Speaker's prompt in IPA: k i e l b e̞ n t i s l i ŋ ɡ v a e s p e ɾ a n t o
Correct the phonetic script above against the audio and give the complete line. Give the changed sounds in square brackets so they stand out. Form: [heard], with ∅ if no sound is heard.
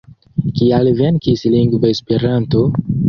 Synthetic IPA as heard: k i [a] l [v] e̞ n [k] i s l i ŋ ɡ v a e s p e ɾ a n t o